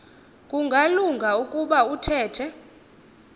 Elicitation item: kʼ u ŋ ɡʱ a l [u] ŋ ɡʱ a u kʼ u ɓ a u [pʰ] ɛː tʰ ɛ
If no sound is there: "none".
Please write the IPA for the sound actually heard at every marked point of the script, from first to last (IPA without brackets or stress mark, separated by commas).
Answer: u, tʰ